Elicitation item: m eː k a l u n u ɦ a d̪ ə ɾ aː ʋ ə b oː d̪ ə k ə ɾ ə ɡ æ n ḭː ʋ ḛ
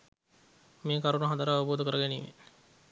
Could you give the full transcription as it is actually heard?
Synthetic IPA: m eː k a ɾ u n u ɦ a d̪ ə ɾ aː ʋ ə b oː d̪ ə k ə ɾ ə ɡ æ n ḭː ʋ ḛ